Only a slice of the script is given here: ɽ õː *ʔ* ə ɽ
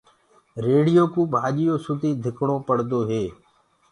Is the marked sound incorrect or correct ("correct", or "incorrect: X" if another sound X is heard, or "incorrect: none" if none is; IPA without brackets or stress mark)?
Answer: incorrect: p